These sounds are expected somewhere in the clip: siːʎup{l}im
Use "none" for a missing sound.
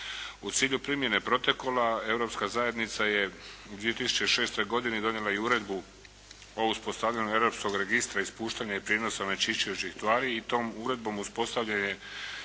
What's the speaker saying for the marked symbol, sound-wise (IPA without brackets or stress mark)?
ɾ